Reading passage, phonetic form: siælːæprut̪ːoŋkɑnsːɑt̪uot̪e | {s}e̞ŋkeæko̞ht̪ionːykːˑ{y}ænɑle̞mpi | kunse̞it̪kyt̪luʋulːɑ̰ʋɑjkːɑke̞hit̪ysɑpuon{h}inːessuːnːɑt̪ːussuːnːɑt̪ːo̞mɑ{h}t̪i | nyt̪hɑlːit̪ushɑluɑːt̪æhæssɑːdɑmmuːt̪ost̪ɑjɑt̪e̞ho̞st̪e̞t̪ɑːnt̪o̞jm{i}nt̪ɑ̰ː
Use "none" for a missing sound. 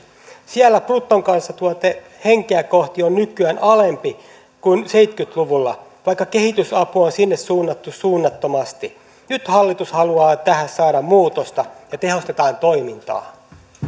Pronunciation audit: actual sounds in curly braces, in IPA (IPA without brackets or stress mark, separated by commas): h, y, s, s, i